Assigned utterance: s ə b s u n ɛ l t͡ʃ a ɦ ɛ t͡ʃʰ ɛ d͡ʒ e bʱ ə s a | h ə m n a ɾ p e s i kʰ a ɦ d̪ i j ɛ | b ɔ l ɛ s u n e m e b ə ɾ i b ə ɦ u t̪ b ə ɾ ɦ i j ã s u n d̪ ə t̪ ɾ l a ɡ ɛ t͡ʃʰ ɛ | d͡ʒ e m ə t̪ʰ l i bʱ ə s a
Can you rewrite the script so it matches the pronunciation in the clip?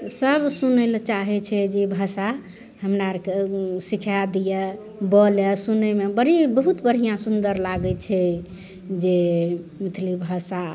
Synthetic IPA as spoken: s ə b s u n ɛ l t͡ʃ a ɦ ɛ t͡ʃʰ ɛ d͡ʒ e bʱ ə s a | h ə m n a ɾ k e s i kʰ a d̪ i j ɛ | b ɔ l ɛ s u n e m e b ə ɾ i b ə ɦ u t̪ b ə ɾ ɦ i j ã s u n d̪ ə ɾ l a ɡ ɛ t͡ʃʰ ɛ | d͡ʒ e m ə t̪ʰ l i bʱ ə s a